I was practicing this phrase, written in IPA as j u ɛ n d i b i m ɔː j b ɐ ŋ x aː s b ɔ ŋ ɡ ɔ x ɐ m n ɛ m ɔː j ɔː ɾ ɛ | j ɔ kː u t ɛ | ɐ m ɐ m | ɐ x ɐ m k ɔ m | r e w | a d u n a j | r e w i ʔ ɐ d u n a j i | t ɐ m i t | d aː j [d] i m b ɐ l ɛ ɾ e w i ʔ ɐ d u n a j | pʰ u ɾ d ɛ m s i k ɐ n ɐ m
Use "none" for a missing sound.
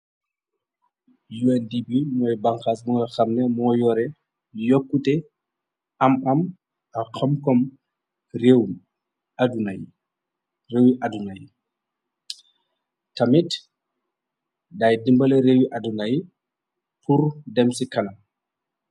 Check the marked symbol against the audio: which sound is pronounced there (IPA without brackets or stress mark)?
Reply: d